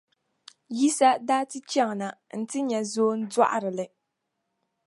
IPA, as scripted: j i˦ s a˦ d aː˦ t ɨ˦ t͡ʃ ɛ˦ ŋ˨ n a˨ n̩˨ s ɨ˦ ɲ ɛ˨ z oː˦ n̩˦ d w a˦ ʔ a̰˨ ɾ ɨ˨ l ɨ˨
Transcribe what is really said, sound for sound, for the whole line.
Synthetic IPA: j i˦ s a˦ d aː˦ t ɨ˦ t͡ʃ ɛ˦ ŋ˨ n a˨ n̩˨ t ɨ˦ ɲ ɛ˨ z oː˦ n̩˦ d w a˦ ʔ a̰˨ ɾ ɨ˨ l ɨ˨